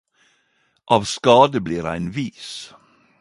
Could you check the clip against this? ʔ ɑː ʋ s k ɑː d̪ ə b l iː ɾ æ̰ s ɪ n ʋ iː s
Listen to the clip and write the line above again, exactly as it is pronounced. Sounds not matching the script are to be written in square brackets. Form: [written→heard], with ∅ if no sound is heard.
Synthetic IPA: ʔ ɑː ʋ s k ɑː d̪ ə b l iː ɾ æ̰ [s→∅] ɪ n ʋ iː s

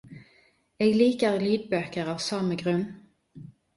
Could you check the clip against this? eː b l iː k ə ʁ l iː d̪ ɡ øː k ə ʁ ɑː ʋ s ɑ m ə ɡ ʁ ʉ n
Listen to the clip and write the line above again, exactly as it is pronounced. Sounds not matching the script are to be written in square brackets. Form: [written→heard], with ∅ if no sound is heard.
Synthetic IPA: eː [b→ɡ] l iː k ə ʁ l iː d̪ [ɡ→b] øː k ə ʁ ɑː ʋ s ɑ m ə ɡ ʁ ʉ n

